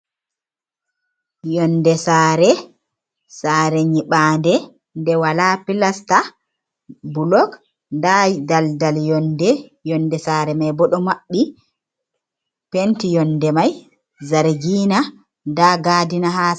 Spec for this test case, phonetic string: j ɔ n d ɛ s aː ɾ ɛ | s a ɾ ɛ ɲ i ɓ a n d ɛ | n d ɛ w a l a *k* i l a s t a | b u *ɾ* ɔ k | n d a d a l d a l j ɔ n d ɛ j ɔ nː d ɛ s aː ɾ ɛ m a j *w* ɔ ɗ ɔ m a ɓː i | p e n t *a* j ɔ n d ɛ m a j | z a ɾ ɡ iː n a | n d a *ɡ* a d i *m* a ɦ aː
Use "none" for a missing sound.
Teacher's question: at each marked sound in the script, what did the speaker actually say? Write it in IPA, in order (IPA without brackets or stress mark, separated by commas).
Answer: p, l, b, i, ɡ, n